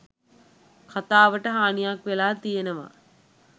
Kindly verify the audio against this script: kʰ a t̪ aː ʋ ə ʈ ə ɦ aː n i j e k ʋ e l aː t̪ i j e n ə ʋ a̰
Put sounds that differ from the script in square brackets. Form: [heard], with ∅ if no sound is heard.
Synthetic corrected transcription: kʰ a t̪ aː ʋ ə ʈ ə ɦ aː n i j [a] k ʋ e l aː t̪ i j e n ə ʋ a̰